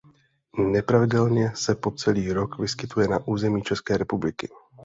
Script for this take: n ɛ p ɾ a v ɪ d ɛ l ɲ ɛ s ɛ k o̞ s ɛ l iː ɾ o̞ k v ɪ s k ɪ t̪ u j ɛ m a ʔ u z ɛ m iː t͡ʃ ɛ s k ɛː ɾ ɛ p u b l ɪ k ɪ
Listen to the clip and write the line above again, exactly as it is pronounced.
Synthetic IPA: n ɛ p ɾ a v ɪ d ɛ l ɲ ɛ s ɛ p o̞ t͡s ɛ l iː ɾ o̞ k v ɪ s k ɪ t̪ u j ɛ n a ʔ uː z ɛ m iː t͡ʃ ɛ s k ɛː ɾ ɛ p u b l ɪ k ɪ

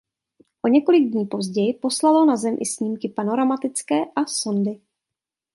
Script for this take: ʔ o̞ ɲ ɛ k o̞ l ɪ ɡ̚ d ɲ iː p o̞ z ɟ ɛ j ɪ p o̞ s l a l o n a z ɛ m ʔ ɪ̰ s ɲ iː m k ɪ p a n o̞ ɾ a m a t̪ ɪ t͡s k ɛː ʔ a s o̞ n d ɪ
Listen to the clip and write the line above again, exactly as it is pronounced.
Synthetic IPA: ʔ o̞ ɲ ɛ k o̞ l ɪ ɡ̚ d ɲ iː p o̞ z ɟ ɛ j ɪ p o̞ s l a l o n a z ɛ m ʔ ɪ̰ s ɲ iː m k ɪ p a n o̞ ɾ a m a t̪ ɪ t͡s k ɛː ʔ a s o̞ n d ɪ

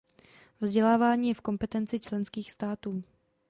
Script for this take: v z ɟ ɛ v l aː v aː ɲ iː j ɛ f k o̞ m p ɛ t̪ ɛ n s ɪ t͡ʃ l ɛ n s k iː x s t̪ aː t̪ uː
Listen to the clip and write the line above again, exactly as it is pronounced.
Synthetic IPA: v z ɟ ɛ l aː v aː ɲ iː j ɛ f k o̞ m p ɛ t̪ ɛ n t͡s ɪ t͡ʃ l ɛ n s k iː x s t̪ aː t̪ uː

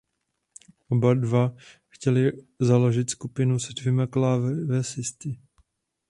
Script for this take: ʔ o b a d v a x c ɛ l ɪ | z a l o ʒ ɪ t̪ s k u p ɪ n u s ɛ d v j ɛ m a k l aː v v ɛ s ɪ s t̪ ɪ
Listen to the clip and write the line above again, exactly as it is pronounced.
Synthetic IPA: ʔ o b a d v a x c ɛ l ɪ | z a l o ʒ ɪ t̪ s k u p ɪ n u s ɛ d v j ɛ m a k l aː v v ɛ s ɪ s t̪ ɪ

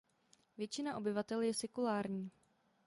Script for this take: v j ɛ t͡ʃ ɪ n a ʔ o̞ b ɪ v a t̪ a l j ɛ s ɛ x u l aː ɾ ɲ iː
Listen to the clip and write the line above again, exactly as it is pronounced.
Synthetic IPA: v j ɛ t͡ʃ ɪ n a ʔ o̞ b ɪ v a t̪ ɛ l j ɛ s ɛ k u l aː ɾ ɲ iː

